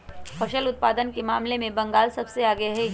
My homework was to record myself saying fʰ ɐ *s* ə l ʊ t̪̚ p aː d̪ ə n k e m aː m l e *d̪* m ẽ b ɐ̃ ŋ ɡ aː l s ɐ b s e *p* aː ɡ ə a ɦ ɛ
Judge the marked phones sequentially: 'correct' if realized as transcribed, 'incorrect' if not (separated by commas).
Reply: incorrect, incorrect, incorrect